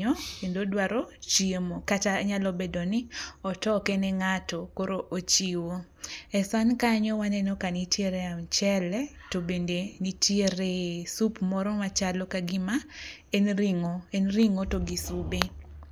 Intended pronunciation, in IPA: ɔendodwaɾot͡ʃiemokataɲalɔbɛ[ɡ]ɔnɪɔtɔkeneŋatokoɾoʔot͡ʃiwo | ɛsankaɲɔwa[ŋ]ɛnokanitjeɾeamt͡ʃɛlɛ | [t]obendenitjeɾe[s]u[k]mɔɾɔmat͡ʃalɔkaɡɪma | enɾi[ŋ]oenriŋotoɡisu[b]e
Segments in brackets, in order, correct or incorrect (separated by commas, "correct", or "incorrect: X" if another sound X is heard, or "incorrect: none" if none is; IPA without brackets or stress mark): incorrect: d, incorrect: n, correct, correct, incorrect: p, correct, correct